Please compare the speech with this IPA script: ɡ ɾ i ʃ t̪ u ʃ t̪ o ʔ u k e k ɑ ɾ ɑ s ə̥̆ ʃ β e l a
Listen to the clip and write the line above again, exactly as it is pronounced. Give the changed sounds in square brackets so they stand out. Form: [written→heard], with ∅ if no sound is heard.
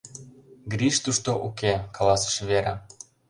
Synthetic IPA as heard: ɡ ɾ i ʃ t̪ u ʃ t̪ o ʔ u k e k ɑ [ɾ→l] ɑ s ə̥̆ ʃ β e [l→ɾ] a